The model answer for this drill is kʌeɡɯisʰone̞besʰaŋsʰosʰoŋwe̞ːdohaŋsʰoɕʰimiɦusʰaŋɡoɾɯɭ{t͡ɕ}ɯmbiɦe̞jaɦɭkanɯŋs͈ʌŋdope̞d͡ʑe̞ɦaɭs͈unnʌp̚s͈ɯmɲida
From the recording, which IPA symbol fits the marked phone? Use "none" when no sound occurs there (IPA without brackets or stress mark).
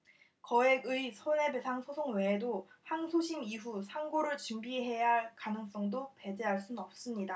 t͡ɕ